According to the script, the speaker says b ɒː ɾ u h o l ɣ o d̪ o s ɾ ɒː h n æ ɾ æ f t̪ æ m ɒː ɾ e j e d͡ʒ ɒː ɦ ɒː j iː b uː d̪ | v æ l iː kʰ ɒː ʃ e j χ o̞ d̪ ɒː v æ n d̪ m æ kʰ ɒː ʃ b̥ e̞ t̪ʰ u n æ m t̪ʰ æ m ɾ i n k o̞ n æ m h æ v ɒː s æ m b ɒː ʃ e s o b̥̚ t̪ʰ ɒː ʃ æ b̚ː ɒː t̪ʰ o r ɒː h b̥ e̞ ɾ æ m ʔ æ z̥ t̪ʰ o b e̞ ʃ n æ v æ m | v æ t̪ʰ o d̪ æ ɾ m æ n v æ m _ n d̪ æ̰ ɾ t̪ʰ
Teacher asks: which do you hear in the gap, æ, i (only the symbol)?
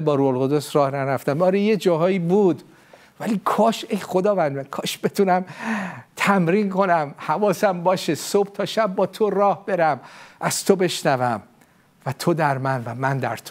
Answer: æ